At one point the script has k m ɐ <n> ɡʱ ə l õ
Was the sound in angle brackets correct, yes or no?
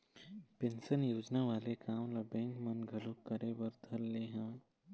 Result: yes